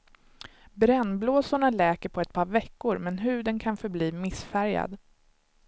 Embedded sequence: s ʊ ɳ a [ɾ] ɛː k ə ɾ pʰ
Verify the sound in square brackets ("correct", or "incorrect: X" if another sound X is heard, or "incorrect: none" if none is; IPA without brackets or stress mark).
incorrect: l